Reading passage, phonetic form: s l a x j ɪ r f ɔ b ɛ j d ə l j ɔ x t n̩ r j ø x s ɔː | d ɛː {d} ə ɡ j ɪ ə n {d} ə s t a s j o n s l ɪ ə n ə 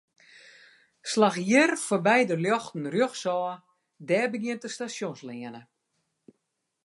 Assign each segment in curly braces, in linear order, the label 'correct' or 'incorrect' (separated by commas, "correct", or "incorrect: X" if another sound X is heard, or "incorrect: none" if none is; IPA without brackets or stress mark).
incorrect: b, incorrect: t